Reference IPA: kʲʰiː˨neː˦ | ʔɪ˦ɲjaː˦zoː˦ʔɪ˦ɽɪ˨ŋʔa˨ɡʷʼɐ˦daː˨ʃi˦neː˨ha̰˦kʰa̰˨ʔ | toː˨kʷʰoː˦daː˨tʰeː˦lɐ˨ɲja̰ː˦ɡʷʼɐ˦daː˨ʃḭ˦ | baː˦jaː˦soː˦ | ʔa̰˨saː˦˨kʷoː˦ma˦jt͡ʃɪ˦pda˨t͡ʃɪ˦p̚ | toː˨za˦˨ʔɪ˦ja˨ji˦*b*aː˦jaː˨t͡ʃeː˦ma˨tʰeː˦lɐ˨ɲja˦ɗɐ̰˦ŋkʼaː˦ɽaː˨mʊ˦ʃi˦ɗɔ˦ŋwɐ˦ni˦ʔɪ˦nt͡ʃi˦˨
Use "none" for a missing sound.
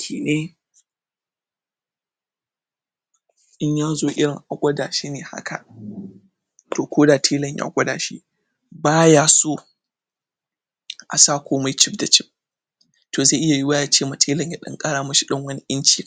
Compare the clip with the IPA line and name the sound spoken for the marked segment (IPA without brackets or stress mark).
w